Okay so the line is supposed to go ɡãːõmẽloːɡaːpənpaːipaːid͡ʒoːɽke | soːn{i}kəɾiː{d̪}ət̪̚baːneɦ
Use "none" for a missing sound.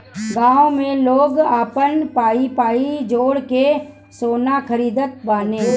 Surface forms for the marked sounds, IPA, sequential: a, d̪

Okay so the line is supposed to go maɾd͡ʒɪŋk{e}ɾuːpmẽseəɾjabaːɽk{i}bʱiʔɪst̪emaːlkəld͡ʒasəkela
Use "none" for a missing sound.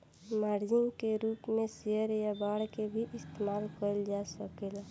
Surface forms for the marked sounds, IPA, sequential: e, e

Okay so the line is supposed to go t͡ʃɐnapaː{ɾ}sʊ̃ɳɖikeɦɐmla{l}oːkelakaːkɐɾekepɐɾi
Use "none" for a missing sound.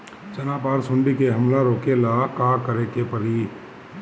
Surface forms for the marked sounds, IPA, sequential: ɾ, ɾ

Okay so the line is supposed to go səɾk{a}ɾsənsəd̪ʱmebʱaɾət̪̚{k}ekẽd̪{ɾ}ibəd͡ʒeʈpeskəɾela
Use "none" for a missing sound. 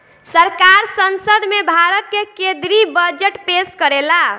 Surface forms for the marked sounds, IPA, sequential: a, k, ɾ

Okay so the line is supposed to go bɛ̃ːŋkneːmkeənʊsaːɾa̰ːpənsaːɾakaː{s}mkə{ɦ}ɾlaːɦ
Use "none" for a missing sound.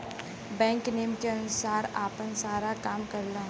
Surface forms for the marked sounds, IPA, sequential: none, none

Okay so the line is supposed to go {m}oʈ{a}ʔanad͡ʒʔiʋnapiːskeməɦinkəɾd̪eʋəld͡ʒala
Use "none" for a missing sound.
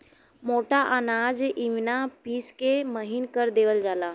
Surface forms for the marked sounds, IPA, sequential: m, a

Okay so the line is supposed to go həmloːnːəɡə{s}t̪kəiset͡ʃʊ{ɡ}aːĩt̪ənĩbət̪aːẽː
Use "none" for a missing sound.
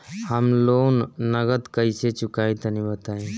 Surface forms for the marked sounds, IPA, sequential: none, k

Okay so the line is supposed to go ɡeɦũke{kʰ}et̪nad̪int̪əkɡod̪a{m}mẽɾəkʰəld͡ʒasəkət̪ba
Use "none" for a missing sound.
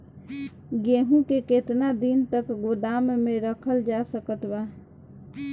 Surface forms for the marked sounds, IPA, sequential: k, m

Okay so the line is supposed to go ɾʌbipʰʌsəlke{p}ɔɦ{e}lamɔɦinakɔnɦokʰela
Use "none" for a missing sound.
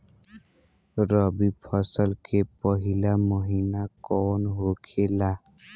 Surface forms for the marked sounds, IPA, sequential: p, i

